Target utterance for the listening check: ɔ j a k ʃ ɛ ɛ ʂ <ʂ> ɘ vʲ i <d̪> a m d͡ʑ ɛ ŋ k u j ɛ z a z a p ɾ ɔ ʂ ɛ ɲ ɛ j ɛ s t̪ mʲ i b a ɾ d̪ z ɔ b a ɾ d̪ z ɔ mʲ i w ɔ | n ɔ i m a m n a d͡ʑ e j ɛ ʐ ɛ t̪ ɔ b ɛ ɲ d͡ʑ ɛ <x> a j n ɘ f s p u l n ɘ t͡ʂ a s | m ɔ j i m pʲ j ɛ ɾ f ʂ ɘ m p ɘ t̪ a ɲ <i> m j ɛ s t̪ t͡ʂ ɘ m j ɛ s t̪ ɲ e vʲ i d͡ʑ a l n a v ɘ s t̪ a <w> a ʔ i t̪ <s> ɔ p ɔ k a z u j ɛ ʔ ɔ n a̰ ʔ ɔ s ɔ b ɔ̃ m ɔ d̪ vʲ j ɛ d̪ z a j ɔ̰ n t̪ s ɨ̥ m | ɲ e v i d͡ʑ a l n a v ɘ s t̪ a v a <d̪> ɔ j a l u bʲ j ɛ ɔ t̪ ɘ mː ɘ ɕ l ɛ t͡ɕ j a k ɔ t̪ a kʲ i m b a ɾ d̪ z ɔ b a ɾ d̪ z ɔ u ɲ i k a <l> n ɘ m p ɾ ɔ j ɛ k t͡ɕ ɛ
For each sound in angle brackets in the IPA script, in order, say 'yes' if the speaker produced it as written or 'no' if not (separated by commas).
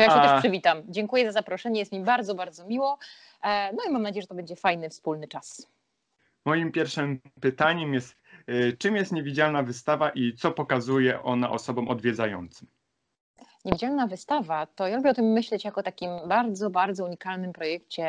yes, no, no, no, no, yes, no, yes